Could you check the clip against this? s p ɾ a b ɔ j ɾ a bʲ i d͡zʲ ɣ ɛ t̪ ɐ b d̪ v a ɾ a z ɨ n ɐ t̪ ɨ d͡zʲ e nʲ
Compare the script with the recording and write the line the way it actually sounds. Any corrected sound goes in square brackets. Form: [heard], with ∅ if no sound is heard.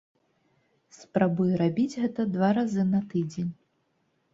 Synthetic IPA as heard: s p ɾ a b [u] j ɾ a bʲ i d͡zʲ ɣ ɛ t̪ ɐ [∅] d̪ v a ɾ a z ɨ n ɐ t̪ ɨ d͡zʲ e nʲ